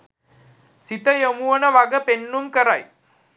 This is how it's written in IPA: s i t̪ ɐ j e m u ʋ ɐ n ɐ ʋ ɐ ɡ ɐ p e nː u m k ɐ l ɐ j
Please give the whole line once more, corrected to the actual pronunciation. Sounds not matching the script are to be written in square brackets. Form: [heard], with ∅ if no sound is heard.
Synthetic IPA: s i t̪ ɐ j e m u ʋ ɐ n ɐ ʋ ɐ ɡ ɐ p e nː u m k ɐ [ɾ] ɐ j